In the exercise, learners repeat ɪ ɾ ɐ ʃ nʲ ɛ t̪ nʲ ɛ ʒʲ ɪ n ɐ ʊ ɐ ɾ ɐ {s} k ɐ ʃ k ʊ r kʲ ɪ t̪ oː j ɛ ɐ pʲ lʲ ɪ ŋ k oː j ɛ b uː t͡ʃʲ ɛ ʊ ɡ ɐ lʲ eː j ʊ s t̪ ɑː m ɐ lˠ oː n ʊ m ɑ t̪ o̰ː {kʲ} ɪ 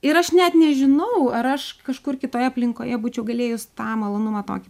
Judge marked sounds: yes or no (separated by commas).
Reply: no, yes